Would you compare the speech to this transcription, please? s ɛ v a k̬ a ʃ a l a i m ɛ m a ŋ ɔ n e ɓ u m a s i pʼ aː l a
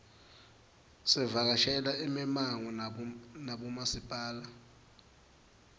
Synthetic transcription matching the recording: s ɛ v a k̬ a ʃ ɛ l a i m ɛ m a ŋ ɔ n a ɓ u m a s i pʼ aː l a